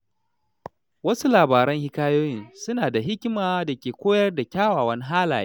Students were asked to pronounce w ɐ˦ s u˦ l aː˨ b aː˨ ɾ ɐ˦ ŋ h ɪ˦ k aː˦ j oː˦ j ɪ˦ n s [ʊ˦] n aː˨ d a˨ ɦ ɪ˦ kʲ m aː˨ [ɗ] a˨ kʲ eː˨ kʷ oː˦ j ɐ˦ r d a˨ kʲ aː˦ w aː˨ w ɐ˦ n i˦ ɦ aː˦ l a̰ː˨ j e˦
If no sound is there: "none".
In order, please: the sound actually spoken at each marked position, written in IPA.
ʊ˦, d

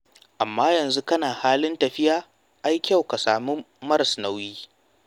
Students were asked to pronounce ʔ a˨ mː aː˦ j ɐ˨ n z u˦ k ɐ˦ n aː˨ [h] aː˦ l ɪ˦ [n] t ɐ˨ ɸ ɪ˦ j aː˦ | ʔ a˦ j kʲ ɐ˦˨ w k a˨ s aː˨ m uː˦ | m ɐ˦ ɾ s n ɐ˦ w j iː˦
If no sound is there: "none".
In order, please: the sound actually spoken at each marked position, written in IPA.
h, n

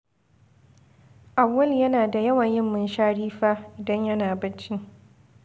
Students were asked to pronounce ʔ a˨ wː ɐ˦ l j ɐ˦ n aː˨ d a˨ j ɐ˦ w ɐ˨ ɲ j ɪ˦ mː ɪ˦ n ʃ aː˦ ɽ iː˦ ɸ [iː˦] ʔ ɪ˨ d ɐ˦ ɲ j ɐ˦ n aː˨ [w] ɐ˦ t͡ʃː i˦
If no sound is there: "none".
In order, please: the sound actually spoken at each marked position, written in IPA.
aː˦, b

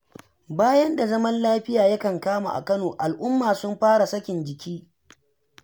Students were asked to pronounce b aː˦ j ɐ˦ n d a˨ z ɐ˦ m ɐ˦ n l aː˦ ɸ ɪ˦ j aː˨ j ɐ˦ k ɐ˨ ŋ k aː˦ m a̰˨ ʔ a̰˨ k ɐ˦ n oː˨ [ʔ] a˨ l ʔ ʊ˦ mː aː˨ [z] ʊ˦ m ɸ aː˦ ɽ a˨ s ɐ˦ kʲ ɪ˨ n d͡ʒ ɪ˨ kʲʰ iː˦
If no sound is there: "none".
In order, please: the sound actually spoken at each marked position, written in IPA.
ʔ, s

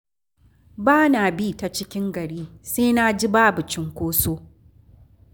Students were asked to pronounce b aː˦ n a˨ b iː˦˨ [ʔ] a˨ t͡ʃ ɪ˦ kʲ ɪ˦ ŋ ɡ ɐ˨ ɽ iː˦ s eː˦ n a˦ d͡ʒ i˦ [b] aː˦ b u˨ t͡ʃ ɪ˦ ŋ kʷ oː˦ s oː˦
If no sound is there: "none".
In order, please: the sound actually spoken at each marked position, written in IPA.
t, b

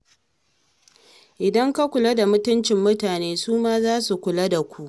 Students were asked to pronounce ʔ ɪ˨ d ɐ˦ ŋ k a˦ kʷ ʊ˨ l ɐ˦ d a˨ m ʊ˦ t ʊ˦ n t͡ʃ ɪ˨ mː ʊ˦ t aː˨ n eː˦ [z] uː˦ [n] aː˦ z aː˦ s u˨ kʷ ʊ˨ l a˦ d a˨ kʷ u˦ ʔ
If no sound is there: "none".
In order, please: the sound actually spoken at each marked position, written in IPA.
s, m

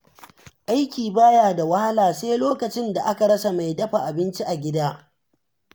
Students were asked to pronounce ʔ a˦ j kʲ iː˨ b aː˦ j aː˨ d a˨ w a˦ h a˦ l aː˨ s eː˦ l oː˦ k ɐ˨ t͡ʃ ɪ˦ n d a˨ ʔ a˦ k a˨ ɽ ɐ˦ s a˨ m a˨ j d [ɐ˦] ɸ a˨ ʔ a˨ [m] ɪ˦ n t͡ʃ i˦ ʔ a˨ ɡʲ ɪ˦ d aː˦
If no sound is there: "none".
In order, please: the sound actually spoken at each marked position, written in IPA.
ɐ˦, b

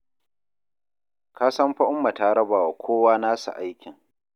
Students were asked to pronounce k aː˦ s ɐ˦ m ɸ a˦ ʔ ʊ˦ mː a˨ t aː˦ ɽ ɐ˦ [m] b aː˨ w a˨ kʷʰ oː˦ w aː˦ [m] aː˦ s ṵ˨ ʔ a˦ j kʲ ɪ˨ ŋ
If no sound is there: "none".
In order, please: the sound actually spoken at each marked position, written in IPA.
none, n

